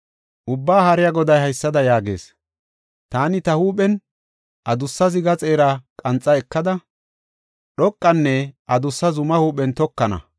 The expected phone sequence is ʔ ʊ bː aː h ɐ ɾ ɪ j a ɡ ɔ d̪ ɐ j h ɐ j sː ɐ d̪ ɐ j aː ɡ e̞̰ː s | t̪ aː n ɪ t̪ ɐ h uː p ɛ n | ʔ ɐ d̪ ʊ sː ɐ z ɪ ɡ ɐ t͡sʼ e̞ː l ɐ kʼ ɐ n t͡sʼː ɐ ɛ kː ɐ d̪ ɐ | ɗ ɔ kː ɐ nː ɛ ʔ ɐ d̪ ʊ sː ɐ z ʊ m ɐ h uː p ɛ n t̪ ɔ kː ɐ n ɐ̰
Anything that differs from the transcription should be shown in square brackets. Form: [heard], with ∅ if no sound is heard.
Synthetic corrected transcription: ʔ ʊ bː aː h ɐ ɾ ɪ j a ɡ ɔ d̪ ɐ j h ɐ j sː ɐ d̪ ɐ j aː ɡ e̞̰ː s | t̪ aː n ɪ t̪ ɐ h uː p ɛ n | ʔ ɐ d̪ ʊ sː ɐ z ɪ ɡ ɐ t͡sʼ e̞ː [ɾ] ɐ kʼ ɐ n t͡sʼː ɐ ɛ kː ɐ d̪ ɐ | ɗ ɔ [kʼː] ɐ nː ɛ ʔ ɐ d̪ ʊ sː ɐ z ʊ m ɐ h uː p ɛ n t̪ ɔ kː ɐ n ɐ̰